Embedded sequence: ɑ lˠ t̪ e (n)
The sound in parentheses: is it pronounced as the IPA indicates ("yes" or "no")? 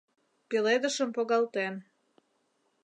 yes